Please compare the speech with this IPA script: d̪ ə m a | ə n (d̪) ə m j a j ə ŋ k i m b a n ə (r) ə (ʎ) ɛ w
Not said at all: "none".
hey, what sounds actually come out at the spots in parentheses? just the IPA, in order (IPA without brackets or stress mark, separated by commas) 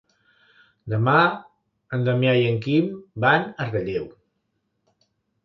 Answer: d̪, r, ʎ